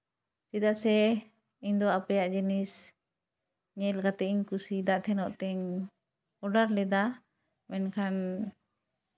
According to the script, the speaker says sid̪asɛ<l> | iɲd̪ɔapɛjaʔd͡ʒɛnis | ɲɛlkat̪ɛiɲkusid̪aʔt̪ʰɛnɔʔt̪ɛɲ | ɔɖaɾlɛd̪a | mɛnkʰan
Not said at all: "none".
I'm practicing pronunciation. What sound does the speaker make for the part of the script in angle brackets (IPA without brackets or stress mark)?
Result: none